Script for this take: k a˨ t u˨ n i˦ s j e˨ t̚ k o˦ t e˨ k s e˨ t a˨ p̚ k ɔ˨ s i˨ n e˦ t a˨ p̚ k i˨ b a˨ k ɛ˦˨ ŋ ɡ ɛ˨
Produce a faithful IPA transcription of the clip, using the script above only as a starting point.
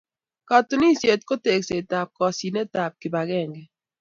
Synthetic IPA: k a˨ t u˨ n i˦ s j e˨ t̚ k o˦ t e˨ k s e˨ t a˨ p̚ k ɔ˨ s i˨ n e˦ t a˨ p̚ k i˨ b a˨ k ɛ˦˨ ŋ ɡ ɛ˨